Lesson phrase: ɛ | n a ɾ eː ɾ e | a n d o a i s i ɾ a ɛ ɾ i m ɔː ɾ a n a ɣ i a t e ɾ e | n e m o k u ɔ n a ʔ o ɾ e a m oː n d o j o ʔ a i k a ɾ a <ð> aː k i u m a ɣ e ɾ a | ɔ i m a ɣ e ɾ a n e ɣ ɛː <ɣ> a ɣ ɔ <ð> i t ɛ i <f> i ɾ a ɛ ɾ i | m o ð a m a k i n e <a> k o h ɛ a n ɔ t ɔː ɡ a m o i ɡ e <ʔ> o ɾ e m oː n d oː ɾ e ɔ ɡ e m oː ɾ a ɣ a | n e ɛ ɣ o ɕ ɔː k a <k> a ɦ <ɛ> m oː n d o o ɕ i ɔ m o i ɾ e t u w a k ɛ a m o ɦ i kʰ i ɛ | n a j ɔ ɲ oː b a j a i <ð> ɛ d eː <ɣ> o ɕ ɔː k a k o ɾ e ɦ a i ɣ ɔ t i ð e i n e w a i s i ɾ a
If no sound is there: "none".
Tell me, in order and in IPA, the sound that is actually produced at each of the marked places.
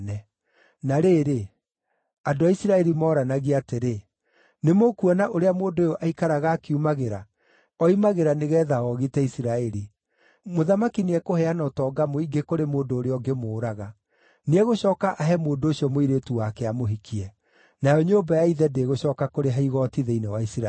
ɣ, ð, ɣ, s, ɛ, k, ʔ, ɛ, ð, ɣ

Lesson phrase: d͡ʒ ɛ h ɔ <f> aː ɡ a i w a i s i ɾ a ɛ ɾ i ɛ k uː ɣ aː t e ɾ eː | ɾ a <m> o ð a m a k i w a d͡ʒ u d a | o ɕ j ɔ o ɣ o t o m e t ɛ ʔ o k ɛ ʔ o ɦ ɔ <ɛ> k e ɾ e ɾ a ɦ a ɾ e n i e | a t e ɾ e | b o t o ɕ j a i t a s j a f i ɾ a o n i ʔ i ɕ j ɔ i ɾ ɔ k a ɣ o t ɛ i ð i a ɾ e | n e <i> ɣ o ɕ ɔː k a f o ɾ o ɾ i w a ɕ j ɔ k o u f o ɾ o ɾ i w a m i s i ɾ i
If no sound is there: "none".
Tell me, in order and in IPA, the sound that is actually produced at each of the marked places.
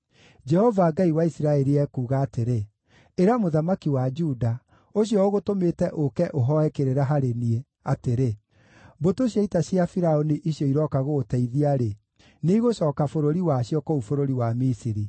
v, m, ɛ, i

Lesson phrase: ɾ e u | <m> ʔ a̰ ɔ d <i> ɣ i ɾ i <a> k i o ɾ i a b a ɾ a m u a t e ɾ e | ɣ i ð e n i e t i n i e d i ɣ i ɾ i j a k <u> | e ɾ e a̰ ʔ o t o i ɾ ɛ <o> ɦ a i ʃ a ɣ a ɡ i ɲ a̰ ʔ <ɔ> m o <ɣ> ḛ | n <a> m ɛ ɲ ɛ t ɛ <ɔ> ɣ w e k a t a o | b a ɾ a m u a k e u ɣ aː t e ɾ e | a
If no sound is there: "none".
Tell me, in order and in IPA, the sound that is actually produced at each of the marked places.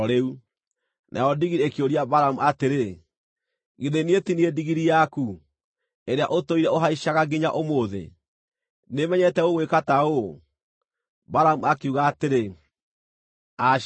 n, i, e, u, o, o, ð, e, o

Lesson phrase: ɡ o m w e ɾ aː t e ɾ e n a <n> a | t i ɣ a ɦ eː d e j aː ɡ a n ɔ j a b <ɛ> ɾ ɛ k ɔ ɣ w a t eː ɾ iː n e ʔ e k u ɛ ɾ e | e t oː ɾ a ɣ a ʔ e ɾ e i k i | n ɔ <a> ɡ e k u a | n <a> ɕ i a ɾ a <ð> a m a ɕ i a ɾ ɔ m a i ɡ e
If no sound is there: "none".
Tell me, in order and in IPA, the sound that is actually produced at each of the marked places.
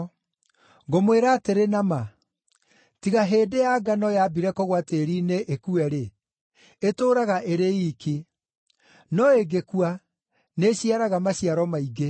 m, i, e, e, ɣ

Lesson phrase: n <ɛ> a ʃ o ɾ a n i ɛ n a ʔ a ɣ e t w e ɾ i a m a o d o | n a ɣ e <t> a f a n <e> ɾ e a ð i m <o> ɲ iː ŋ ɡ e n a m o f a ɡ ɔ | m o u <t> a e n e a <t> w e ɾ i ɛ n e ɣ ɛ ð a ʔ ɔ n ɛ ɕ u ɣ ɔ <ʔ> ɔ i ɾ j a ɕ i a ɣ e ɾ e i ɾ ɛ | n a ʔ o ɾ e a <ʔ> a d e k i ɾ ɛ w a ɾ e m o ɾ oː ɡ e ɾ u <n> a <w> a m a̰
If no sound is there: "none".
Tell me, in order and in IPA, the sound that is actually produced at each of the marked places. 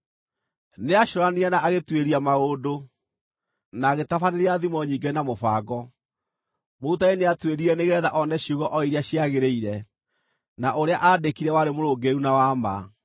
e, t, e, ɔ, t, t, ʔ, ʔ, n, w

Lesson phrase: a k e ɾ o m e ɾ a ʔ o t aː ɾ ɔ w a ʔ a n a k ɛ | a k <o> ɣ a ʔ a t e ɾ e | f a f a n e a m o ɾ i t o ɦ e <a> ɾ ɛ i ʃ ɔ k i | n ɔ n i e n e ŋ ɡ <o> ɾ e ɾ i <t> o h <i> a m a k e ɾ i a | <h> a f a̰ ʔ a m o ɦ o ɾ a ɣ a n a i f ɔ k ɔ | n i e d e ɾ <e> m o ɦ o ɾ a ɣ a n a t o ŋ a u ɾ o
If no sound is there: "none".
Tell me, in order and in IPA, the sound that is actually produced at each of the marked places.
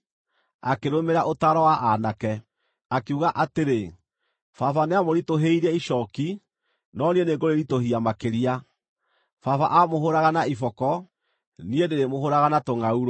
u, i, o, t, i, f, e

